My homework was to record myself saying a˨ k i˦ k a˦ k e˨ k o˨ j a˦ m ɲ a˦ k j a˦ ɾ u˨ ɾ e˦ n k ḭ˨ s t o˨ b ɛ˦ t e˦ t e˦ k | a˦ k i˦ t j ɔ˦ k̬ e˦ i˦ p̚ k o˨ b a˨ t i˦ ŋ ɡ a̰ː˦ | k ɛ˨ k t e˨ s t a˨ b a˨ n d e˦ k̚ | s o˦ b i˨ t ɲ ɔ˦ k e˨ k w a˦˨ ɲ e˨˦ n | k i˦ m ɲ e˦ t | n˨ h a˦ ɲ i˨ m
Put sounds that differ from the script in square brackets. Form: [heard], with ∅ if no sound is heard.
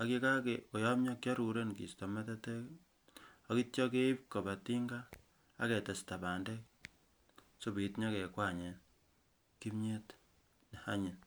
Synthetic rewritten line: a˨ k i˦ k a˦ k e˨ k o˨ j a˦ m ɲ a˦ k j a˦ ɾ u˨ ɾ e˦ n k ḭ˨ s t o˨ [m] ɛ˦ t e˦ t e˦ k | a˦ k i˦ t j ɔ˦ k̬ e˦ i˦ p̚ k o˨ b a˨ t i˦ ŋ ɡ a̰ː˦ | k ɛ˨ [∅] t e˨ s t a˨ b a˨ n d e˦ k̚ | s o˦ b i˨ t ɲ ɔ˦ k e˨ k w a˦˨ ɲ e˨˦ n | k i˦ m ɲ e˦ t | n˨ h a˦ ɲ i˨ [n]